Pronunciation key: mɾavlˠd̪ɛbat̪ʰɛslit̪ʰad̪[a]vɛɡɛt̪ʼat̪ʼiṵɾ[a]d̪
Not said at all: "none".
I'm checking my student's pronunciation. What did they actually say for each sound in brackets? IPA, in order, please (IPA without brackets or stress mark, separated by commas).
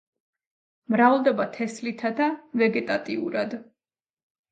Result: a, a